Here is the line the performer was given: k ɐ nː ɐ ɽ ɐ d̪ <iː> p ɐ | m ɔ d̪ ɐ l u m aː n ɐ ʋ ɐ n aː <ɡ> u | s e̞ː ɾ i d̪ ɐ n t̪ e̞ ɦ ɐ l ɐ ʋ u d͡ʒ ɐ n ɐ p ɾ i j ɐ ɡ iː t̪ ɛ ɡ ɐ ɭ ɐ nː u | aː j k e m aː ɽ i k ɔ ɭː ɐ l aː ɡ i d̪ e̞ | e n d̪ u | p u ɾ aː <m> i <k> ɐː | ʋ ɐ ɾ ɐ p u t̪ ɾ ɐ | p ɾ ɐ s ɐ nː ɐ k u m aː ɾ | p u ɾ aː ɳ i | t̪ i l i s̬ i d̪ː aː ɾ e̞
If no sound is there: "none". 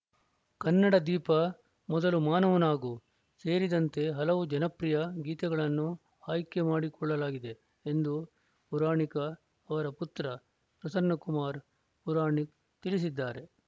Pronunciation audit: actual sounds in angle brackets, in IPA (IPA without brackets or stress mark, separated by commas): iː, ɡ, ɳ, k